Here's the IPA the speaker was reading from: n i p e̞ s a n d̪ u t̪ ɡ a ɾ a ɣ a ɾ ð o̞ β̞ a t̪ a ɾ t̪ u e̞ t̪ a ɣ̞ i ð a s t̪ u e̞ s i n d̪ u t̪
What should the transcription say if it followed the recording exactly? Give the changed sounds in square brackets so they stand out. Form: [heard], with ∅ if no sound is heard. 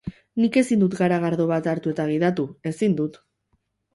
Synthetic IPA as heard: n i [k] e̞ s [i] n d̪ u t̪ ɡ a ɾ a ɣ a ɾ ð o̞ β̞ a t̪ a ɾ t̪ u e̞ t̪ a ɣ̞ i ð a [∅] t̪ u e̞ s i n d̪ u t̪

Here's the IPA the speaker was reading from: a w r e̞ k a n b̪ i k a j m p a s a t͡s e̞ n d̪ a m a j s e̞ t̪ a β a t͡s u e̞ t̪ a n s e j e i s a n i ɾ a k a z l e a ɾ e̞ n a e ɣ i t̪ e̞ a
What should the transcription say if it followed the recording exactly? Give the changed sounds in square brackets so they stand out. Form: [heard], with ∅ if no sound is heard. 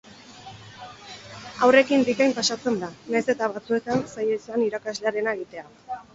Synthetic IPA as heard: a w r e̞ k [i] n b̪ i k a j m p a s a t͡s e̞ n d̪ a [n] a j s e̞ t̪ a β a t͡s u e̞ t̪ a n s [a] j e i s a n i ɾ a k a z l e a ɾ e̞ n a e ɣ i t̪ e̞ a

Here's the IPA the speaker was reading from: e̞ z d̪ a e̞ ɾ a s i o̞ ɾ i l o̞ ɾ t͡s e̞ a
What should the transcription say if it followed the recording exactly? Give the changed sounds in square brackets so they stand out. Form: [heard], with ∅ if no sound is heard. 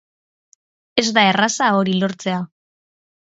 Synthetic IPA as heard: e̞ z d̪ a e̞ [r] a s [a] o̞ ɾ i l o̞ ɾ t͡s e̞ a

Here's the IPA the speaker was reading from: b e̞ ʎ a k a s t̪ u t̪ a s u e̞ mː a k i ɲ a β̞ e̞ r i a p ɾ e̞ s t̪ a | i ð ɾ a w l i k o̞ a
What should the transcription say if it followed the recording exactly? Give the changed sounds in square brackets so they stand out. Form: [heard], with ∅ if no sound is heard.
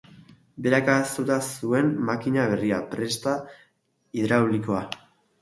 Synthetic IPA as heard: b e̞ [ɾ] a k a s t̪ u t̪ a s u e̞ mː a k i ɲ a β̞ e̞ r i a p ɾ e̞ s t̪ a | i ð ɾ a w l i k o̞ a

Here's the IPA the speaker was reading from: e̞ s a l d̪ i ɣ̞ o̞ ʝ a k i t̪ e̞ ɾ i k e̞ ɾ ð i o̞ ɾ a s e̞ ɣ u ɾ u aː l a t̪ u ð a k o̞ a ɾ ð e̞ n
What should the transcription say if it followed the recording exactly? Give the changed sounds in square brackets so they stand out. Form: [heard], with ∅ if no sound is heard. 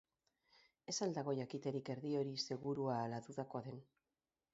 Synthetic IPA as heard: e̞ s a l d̪ [a] ɣ̞ o̞ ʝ a k i t̪ e̞ ɾ i k e̞ ɾ ð i o̞ ɾ [i] s e̞ ɣ u ɾ u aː l a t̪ u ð a k o̞ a [∅] ð e̞ n

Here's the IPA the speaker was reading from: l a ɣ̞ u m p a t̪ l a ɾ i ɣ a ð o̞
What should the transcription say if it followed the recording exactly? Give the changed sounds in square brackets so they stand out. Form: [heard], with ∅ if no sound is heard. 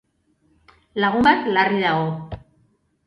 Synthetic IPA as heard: l a ɣ̞ u m [b] a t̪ l a [r] i [ð] a [ɣ] o̞

